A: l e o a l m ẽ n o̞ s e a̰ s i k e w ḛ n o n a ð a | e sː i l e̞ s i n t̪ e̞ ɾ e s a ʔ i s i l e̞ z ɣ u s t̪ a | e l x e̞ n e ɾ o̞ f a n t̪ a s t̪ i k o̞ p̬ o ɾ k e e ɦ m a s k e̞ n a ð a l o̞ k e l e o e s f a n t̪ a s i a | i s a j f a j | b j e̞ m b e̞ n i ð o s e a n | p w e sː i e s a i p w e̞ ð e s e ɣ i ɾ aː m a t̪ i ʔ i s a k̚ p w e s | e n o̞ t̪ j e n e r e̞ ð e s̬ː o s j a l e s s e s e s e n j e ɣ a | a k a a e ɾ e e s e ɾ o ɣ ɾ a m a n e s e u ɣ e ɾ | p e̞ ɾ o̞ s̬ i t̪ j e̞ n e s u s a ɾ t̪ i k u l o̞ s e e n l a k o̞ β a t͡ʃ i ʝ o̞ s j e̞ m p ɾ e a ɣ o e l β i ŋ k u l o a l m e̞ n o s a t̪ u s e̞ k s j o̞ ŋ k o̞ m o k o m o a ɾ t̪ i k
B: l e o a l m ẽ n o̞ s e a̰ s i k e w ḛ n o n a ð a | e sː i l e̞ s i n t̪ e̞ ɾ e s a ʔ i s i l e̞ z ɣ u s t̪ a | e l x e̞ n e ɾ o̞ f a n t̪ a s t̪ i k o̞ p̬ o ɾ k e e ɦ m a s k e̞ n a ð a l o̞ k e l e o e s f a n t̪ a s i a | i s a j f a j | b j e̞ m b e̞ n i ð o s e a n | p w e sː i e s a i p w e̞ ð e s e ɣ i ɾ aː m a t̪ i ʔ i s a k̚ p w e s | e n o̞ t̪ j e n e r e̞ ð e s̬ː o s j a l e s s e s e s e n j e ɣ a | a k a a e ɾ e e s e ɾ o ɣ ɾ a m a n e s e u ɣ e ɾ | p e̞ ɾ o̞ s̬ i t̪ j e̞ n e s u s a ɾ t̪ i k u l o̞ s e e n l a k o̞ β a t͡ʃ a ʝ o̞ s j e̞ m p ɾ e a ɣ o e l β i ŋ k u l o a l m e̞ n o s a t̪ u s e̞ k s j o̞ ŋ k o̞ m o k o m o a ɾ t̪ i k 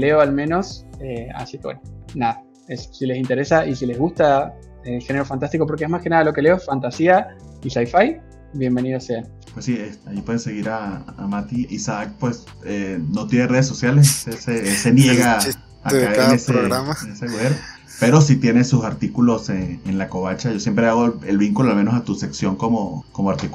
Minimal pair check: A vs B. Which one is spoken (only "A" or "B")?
B